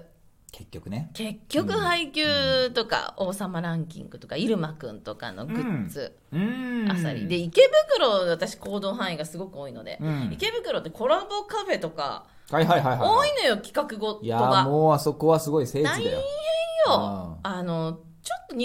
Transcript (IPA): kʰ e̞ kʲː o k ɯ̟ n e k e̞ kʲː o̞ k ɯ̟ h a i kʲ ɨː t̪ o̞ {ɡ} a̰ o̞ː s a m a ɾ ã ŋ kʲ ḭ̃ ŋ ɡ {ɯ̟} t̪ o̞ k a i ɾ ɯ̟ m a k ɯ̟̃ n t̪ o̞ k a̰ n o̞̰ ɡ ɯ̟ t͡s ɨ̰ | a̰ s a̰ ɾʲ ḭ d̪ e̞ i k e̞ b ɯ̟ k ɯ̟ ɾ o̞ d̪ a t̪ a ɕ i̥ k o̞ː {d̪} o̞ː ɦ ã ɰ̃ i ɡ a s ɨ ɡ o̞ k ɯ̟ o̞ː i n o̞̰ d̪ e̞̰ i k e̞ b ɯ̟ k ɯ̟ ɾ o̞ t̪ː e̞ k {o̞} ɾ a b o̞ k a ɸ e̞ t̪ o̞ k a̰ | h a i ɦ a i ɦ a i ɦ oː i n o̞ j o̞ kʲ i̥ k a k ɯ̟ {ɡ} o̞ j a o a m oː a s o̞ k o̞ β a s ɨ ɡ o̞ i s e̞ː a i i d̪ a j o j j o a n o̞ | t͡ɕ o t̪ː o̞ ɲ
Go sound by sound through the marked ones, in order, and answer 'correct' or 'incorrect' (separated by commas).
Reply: incorrect, correct, correct, correct, correct